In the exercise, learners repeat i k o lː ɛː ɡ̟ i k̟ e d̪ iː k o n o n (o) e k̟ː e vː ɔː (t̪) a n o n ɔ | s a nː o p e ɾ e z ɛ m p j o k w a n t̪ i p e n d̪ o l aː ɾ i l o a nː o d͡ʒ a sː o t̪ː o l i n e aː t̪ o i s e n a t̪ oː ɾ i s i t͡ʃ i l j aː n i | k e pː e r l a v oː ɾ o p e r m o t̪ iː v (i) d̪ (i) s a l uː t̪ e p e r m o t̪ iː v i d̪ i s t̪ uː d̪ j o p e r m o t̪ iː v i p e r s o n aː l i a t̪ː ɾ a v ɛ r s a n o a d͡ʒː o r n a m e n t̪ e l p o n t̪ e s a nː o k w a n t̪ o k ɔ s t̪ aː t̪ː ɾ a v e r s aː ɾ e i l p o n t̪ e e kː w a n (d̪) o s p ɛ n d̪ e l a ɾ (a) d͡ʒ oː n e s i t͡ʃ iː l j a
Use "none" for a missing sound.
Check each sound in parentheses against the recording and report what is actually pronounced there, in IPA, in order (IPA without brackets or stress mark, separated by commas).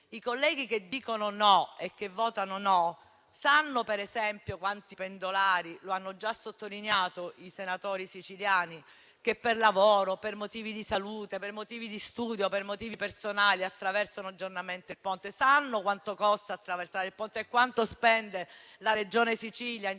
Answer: ɔ, t̪, i, i, t̪, e